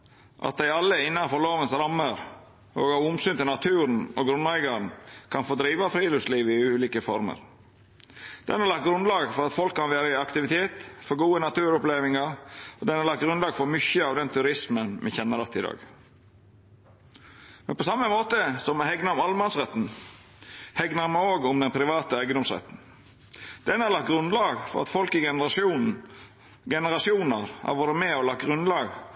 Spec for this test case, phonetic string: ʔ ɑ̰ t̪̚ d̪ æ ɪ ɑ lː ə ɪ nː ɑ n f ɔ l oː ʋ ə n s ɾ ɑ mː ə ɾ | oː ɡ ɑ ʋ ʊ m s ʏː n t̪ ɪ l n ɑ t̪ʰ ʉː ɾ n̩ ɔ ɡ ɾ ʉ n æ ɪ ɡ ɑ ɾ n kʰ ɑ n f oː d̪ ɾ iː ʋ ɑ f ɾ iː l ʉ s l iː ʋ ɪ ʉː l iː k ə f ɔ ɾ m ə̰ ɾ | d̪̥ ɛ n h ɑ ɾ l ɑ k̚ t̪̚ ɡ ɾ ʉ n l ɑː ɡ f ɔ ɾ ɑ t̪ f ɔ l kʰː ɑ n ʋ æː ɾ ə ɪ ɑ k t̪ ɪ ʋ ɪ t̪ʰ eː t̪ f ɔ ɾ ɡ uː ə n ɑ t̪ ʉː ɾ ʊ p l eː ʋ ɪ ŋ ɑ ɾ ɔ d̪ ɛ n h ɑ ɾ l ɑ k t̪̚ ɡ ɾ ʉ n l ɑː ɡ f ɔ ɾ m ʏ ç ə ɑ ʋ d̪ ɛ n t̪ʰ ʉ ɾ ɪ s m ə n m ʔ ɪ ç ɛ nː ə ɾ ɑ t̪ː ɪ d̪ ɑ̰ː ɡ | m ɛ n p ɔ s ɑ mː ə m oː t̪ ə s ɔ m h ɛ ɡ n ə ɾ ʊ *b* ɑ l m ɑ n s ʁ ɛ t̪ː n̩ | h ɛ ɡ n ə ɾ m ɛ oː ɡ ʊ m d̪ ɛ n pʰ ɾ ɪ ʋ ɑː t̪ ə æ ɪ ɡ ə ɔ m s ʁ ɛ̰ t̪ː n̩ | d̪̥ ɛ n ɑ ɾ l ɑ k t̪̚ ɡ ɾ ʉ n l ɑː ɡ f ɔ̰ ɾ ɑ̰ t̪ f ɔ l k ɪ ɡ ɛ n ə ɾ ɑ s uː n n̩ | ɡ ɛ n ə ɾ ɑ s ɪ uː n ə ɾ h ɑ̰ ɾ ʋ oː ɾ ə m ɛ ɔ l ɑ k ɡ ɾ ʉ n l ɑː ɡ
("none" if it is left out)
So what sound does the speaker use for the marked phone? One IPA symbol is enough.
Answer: m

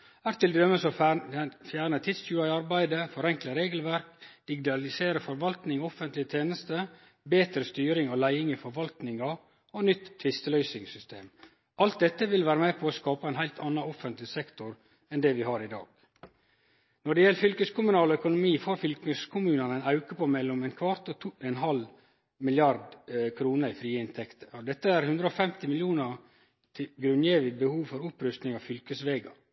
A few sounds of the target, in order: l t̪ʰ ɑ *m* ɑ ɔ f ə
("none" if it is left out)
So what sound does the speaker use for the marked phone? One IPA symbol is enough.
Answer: n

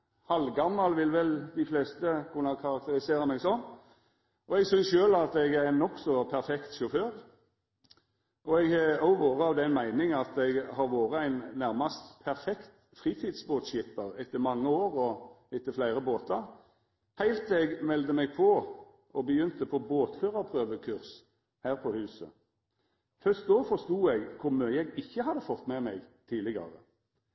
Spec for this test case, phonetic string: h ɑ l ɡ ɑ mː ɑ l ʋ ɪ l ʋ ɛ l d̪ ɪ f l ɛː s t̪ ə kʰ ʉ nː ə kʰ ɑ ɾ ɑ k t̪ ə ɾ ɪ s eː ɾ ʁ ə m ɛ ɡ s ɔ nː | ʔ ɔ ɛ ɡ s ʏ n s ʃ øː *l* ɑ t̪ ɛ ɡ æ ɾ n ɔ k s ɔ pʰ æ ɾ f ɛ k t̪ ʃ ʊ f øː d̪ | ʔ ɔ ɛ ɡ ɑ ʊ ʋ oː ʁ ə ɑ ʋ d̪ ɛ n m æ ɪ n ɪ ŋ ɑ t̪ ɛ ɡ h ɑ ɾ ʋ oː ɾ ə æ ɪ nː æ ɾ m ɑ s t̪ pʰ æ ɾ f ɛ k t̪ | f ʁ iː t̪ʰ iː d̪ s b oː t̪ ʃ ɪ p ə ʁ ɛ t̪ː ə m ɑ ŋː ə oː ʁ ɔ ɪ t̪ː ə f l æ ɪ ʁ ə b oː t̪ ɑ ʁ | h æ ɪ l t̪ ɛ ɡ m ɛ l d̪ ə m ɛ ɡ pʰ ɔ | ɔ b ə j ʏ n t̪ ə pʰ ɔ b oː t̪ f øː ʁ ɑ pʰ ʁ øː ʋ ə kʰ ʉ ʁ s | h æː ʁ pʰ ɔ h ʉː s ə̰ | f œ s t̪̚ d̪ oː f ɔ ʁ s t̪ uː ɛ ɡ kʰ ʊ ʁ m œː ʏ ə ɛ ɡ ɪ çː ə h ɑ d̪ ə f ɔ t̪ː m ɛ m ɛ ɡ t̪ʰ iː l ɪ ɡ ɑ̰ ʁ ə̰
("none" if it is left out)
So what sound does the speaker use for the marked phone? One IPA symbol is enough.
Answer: l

